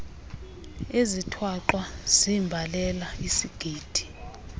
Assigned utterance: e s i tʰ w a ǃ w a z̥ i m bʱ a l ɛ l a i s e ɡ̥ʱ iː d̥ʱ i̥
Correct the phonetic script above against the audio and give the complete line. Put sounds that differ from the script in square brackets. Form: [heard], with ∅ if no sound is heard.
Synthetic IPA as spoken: e [z] i tʰ w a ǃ w a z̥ i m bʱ a l ɛ l a i s [i] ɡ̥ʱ iː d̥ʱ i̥